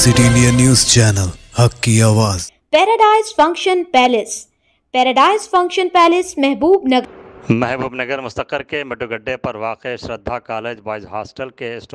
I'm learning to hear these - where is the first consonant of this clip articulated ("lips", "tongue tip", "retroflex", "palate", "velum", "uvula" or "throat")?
tongue tip